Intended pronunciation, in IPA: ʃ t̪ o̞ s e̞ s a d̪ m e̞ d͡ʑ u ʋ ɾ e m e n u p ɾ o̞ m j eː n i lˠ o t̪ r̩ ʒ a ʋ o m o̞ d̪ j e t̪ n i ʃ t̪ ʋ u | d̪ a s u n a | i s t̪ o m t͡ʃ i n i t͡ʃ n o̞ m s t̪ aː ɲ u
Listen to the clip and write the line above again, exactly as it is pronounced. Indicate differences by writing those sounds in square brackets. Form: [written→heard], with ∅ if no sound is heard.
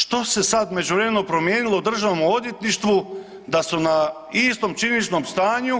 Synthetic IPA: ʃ t̪ o̞ s e̞ s a d̪ m e̞ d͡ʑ u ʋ ɾ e m e n [u→o] p ɾ o̞ m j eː n i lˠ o [t̪→d̪] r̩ ʒ a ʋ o m o̞ d̪ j e t̪ n i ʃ t̪ ʋ u | d̪ a s u n a | i s t̪ o m t͡ʃ i n i t͡ʃ n o̞ m s t̪ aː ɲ u